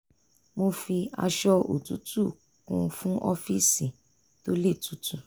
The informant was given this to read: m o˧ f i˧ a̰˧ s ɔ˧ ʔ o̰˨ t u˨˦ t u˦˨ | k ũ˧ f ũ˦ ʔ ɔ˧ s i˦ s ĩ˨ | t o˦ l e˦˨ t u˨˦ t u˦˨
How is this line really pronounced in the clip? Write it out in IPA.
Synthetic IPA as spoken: m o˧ f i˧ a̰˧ ʃ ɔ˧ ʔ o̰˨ t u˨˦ t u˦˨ | k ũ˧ f ũ˦ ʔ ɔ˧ f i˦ s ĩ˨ | t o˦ l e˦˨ t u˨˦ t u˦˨